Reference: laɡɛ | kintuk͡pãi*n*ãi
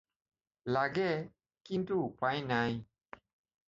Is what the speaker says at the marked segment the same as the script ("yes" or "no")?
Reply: yes